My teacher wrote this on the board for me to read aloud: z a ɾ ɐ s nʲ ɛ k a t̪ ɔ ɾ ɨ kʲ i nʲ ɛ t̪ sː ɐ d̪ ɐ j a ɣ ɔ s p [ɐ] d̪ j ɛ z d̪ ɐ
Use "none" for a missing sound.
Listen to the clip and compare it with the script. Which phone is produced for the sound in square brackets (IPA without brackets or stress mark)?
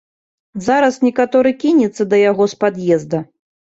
a